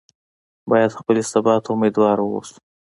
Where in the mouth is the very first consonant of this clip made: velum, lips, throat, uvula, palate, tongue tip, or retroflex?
lips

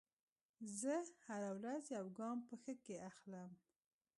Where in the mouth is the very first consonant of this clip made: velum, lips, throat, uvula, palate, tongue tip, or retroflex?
tongue tip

